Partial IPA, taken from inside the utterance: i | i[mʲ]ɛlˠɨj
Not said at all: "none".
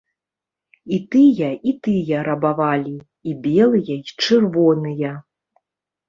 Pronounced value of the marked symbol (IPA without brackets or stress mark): bʲ